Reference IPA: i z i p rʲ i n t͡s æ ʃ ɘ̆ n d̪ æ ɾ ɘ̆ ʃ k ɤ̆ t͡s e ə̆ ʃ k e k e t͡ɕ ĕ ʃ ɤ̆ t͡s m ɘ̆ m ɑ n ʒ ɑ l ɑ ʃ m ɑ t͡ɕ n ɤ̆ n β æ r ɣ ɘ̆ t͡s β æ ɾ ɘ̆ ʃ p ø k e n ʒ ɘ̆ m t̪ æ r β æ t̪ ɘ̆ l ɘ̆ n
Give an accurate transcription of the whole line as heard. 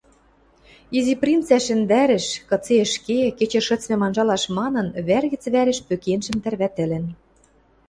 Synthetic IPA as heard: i z i p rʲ i n t͡s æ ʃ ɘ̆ n d̪ æ ɾ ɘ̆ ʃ k ɤ̆ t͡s e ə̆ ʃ k e k e t͡ɕ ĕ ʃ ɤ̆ t͡s m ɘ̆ m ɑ n ʒ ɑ l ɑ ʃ m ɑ n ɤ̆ n β æ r ɣ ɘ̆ t͡s β æ ɾ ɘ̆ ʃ p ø k e n ʒ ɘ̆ m t̪ æ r β æ t̪ ɘ̆ l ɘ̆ n